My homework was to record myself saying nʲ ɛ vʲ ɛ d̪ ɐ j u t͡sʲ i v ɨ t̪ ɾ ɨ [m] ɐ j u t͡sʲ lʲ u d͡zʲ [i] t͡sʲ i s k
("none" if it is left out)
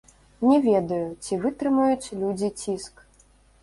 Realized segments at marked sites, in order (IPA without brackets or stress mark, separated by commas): m, i